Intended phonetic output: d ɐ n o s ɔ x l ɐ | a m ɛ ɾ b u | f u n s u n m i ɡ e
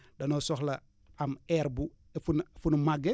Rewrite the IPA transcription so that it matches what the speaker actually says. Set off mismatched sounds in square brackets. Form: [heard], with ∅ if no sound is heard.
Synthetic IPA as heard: d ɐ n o s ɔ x l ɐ | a m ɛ ɾ b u | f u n [f] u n m [a] ɡ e

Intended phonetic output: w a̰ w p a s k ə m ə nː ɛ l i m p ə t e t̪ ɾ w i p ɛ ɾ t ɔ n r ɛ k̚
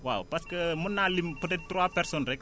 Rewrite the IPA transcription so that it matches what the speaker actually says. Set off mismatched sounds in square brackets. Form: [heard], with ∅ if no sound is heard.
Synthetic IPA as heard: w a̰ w p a s k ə m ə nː [a] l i m p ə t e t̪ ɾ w [a] p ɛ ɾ [s] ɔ n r ɛ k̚

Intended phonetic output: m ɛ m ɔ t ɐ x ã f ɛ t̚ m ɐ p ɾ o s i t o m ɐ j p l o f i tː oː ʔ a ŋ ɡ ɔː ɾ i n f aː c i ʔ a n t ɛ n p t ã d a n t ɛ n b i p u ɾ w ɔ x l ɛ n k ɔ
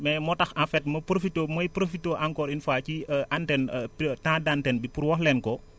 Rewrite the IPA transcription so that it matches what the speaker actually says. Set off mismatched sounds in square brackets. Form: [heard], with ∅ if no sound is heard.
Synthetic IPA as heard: m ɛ m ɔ t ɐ x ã f ɛ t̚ m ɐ p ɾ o [f] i t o m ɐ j p [ɾ] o f i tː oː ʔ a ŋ [k] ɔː ɾ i n f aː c i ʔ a n t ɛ n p t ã d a n t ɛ n b i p u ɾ w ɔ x l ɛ n k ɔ

